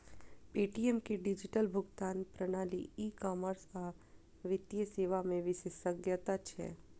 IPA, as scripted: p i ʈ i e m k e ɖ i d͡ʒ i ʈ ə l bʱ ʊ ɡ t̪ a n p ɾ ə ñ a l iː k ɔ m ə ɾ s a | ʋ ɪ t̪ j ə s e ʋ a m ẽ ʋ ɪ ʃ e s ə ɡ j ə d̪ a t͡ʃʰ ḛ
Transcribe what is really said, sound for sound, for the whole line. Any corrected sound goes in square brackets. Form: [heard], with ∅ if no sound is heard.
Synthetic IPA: p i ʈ i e m k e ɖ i d͡ʒ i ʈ ə l bʱ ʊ ɡ t̪ a n p ɾ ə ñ a l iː k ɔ m ə ɾ s a | ʋ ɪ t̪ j ə s e ʋ a m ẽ ʋ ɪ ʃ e s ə ɡ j ə [t̪] a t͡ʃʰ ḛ